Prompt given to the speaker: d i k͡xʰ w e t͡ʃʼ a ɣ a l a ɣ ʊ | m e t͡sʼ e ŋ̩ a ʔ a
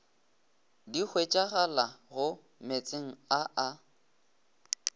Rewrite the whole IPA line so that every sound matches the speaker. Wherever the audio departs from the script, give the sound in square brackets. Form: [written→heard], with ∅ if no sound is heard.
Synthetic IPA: d i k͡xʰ w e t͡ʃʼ a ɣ a l a ɣ ʊ | m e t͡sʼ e ŋ̩ a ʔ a